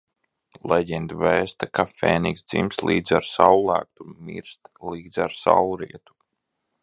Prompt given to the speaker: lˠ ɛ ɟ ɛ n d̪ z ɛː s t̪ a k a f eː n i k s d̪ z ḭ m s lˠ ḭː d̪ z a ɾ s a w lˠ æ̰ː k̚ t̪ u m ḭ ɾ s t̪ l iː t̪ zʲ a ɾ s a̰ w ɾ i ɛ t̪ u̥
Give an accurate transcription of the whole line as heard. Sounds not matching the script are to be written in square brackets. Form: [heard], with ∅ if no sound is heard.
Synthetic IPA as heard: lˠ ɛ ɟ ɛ n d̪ [v] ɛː s t̪ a k a f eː n i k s d̪ z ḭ m s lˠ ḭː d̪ z a ɾ s a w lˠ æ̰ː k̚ t̪ u m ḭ ɾ s t̪ l iː [d̪] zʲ a ɾ s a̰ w ɾ i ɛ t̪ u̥